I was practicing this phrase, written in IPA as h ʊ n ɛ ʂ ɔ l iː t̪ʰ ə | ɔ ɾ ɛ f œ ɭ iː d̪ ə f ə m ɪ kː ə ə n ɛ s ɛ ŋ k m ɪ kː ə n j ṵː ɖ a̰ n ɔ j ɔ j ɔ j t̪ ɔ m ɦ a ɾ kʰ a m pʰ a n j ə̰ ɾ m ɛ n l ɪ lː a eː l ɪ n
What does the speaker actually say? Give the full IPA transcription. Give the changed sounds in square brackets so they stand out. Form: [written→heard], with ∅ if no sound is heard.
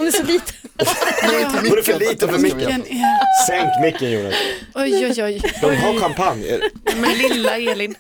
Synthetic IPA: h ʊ n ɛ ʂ ɔ l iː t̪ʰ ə | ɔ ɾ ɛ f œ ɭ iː [d̪→t̪] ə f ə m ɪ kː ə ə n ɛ s ɛ ŋ k m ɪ kː ə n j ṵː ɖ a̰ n ɔ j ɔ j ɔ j [t̪→d̪] ɔ m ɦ a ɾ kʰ a m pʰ a n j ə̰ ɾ m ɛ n l ɪ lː a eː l ɪ n